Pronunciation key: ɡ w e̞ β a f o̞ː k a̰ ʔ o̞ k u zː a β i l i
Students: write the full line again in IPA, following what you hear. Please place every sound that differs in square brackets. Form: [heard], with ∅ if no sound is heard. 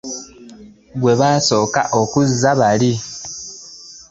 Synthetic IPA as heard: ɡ w e̞ β a [s] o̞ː k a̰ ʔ o̞ k u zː a β [a] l i